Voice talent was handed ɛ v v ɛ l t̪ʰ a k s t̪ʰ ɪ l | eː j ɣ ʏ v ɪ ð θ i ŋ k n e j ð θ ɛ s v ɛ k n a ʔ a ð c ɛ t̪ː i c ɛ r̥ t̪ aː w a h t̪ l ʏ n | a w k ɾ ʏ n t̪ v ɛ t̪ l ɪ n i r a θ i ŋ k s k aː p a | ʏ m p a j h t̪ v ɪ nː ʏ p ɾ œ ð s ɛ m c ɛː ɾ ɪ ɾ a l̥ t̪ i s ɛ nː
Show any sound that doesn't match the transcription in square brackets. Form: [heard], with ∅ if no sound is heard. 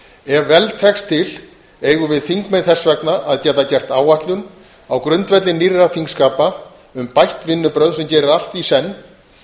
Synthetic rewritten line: ɛ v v ɛ l t̪ʰ [ɛ] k s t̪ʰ ɪ l | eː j ɣ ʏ v ɪ ð θ i ŋ k [m] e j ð θ ɛ s v ɛ k n a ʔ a ð c ɛ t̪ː [a] c ɛ r̥ t̪ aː w a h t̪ l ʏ n | a w k ɾ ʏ n t̪ v ɛ t̪ l ɪ n i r a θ i ŋ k s k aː p a | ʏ m p a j h t̪ v ɪ nː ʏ p ɾ œ ð s ɛ m c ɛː ɾ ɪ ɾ a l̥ t̪ i s ɛ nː